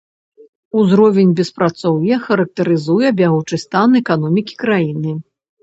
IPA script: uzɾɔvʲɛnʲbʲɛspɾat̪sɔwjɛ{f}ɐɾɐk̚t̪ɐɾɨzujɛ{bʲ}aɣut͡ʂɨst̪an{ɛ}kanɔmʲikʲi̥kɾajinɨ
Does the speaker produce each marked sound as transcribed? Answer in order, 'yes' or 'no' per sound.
no, yes, yes

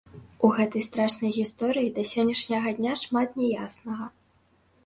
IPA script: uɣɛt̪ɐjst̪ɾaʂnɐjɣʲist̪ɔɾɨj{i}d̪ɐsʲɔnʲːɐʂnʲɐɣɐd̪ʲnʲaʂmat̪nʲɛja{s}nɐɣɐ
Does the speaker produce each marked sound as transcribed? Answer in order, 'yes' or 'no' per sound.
yes, yes

